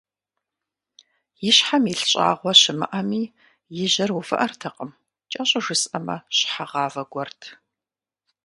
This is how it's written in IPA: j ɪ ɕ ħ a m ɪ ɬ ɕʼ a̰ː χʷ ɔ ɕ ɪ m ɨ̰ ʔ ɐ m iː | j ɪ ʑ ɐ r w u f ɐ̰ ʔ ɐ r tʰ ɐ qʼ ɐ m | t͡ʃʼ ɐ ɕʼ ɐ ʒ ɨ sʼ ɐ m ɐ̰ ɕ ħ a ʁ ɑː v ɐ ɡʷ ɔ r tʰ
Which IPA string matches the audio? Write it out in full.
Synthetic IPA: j ɪ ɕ ħ a m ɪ ɬ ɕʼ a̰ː ʁʷ ɔ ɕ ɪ m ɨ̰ ʔ ɐ m iː | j ɪ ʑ ɐ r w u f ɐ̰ ʔ ɐ r tʰ ɐ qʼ ə m | t͡ʃʼ ɐ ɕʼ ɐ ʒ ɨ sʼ ɐ m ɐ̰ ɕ ħ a ʁ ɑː v ɐ ɡʷ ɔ r tʰ